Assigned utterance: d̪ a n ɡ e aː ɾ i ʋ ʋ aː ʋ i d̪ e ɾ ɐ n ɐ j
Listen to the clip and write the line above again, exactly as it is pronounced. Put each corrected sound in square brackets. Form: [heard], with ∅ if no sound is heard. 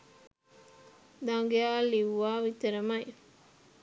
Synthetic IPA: d̪ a [ŋ] ɡ e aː [l] i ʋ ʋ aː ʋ i [t̪] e ɾ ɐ [m] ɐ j